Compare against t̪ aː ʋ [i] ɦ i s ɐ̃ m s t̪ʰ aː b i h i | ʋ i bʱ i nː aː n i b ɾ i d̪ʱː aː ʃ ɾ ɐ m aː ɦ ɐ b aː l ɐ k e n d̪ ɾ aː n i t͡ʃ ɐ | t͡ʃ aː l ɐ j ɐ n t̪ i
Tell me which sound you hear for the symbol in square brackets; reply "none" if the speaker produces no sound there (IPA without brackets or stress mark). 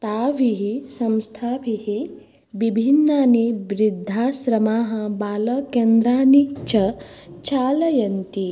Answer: i